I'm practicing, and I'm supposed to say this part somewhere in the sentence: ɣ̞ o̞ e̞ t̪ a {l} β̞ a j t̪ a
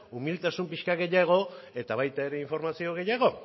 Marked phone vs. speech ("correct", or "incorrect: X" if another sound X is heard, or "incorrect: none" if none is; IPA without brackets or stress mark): incorrect: none